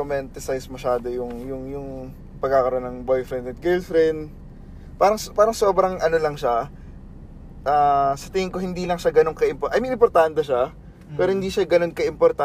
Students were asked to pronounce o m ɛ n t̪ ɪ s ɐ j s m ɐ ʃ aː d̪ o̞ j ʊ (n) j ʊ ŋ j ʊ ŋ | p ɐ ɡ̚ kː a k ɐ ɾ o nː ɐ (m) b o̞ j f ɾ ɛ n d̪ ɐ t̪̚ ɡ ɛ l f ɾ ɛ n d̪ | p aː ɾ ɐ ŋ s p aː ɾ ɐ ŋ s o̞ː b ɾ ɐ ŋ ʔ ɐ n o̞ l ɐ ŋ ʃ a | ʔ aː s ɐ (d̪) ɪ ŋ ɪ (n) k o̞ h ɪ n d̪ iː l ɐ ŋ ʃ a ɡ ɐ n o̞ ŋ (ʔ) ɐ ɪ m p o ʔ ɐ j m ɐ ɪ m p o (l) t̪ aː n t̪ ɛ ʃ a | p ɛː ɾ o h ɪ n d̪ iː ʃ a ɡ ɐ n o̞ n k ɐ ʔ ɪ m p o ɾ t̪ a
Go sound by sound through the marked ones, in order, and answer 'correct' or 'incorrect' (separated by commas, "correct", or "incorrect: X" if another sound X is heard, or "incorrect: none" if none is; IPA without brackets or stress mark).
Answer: incorrect: ŋ, incorrect: ŋ, incorrect: t̪, incorrect: ŋ, incorrect: k, incorrect: ɾ